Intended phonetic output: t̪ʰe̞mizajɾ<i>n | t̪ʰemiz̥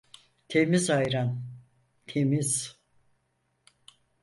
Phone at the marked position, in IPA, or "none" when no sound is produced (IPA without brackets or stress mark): a